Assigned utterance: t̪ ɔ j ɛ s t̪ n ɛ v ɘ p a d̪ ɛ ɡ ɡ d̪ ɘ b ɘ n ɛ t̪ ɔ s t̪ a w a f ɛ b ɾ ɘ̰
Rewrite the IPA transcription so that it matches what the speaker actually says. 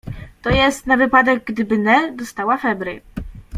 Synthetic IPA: t̪ ɔ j ɛ s t̪ n a v ɘ p a d̪ ɛ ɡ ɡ d̪ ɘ b ɘ n ɛ d̪ ɔ s t̪ a w a f ɛ b ɾ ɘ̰